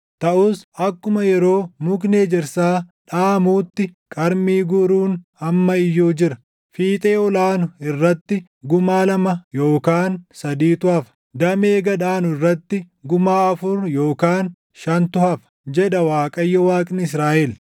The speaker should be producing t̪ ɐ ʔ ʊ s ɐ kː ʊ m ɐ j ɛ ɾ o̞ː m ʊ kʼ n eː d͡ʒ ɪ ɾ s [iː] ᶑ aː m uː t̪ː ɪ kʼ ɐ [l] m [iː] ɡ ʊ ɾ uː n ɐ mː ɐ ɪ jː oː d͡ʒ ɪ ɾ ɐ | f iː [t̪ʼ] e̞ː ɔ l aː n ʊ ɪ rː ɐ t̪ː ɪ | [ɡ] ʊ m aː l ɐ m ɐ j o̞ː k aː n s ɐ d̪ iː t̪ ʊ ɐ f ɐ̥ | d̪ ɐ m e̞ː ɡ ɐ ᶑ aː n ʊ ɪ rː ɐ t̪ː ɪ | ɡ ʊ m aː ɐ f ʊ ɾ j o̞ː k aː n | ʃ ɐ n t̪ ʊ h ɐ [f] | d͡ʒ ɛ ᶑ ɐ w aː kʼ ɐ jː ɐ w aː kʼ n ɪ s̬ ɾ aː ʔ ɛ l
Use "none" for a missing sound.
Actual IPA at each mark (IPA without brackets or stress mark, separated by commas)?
aː, ɾ, iː, t̪ʼ, ɡ, f